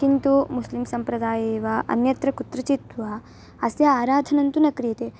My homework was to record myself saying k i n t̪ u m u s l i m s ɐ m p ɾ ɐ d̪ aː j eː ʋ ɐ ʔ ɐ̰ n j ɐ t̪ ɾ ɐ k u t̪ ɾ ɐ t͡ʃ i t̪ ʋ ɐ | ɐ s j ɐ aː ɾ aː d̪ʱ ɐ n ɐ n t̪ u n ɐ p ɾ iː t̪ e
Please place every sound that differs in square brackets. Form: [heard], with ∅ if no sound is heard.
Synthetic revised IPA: k i n t̪ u m u s l i m s ɐ m p ɾ ɐ d̪ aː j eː ʋ ɐ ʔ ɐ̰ n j ɐ t̪ ɾ ɐ k u t̪ ɾ ɐ t͡ʃ i t̪ ʋ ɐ | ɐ s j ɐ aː ɾ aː d̪ʱ ɐ n ɐ n t̪ u n ɐ [k] ɾ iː t̪ e